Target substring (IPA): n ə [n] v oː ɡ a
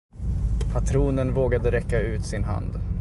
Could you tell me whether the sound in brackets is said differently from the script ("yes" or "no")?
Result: no